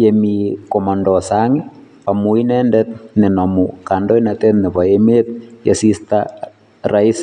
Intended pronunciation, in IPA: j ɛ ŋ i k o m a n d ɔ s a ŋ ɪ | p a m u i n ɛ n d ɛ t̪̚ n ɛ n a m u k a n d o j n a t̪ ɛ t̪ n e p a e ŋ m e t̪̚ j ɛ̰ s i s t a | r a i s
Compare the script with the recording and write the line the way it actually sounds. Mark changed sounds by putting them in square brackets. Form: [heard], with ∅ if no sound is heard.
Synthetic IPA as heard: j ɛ [m] i k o m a n d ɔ s a ŋ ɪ | p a m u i n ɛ n d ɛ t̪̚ n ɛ n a m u k a n d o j n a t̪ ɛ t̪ n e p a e [∅] m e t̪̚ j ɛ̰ s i s t a | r a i s